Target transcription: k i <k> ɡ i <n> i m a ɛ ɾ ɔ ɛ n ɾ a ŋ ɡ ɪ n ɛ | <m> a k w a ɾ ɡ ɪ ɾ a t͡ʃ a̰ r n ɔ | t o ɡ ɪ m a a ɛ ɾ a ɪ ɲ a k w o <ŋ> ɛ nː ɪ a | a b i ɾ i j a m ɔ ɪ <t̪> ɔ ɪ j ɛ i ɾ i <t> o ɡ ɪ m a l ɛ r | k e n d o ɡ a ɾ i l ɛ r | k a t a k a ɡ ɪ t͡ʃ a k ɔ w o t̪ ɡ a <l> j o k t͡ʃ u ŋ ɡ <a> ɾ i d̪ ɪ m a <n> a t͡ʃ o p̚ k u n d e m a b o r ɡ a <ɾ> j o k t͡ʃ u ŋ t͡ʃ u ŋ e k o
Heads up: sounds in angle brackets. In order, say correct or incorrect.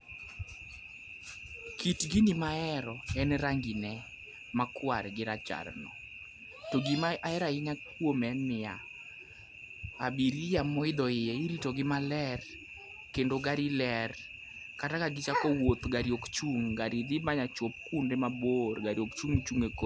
incorrect: t, correct, correct, incorrect: m, incorrect: d̪, correct, incorrect: ɾ, correct, incorrect: ɲ, correct

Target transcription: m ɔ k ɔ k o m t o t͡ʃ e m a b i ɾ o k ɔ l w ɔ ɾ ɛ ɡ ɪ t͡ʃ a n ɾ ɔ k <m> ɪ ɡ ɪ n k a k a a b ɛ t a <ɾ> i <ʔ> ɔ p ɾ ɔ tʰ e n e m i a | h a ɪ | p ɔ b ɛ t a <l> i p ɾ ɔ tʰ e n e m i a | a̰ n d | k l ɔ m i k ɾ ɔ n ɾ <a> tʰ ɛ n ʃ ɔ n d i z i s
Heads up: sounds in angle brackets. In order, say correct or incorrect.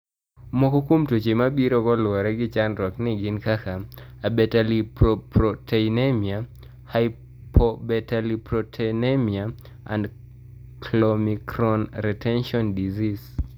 incorrect: n, incorrect: l, incorrect: p, correct, incorrect: ɛ

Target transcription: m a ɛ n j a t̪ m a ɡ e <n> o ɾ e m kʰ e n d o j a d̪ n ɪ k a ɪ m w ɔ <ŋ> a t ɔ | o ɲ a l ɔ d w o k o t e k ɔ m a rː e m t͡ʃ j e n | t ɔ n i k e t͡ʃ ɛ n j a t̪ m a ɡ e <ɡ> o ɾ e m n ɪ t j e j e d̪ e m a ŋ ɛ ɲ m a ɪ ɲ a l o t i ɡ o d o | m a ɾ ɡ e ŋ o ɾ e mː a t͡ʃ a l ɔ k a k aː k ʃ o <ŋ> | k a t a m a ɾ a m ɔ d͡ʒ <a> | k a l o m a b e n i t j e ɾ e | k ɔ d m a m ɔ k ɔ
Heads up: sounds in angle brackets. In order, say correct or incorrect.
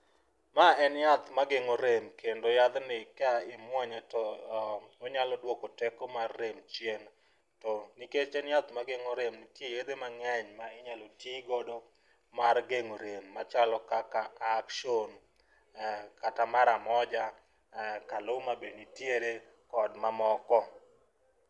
incorrect: ŋ, incorrect: ɲ, incorrect: ŋ, incorrect: n, correct

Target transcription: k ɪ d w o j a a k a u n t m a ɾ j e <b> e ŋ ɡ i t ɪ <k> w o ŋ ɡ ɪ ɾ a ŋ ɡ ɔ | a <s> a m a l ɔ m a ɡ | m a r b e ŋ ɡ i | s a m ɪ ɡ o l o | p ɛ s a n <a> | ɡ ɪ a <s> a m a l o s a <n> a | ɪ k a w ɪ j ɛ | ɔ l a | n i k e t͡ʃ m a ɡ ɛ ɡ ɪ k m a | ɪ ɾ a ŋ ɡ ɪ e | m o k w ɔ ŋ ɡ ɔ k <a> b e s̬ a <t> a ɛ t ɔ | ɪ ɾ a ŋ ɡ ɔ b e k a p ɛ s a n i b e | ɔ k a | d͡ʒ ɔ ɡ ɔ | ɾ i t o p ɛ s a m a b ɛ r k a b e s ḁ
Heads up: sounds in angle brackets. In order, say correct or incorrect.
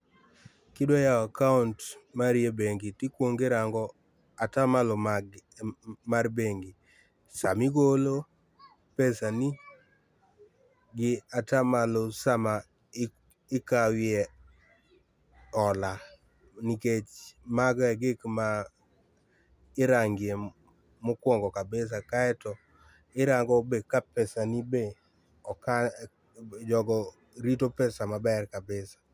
correct, correct, incorrect: t, incorrect: i, incorrect: t, incorrect: m, correct, incorrect: k

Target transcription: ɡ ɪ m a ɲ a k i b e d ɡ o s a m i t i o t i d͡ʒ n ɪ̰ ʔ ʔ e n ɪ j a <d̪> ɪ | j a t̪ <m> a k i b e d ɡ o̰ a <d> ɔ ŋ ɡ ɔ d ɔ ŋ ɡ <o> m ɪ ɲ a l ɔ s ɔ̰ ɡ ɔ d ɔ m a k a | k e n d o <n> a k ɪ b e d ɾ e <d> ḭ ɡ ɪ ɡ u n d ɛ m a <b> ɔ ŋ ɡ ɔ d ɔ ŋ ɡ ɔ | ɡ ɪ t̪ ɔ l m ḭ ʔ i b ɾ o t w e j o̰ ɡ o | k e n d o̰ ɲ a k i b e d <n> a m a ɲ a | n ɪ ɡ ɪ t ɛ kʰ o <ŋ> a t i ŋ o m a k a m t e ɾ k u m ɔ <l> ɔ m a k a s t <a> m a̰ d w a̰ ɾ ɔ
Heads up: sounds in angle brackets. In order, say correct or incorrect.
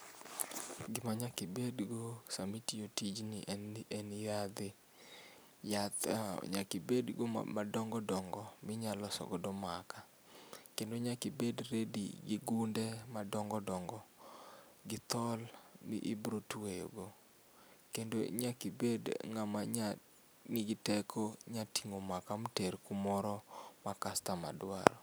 correct, incorrect: ɲ, correct, incorrect: ɔ, incorrect: ɲ, correct, incorrect: d, incorrect: ŋ, incorrect: ɲ, incorrect: ɾ, correct

